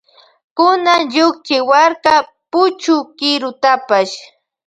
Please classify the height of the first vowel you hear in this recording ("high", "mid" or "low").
high